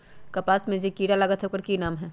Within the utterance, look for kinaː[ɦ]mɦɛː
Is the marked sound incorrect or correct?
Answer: incorrect